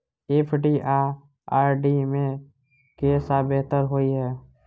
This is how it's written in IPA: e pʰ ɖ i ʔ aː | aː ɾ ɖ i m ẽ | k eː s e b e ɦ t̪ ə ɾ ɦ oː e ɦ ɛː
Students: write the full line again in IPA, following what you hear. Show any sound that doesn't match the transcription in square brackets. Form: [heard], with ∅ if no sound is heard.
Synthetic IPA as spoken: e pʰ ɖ i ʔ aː | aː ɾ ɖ i m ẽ | k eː s [a] b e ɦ t̪ ə ɾ ɦ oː [i] ɦ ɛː